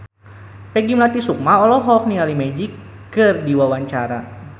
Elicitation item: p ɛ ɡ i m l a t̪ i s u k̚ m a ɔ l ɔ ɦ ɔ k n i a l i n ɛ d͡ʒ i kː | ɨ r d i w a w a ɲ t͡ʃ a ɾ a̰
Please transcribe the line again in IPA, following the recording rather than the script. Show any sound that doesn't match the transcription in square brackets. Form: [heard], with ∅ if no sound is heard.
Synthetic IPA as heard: p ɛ ɡ i m l a t̪ i s u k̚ m a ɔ l ɔ ɦ ɔ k n i a l i [m] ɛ d͡ʒ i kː | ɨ r d i w a w a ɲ t͡ʃ a ɾ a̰